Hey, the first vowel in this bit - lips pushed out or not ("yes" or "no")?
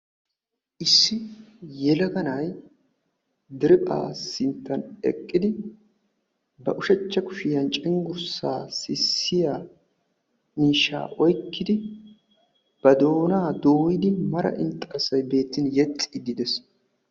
no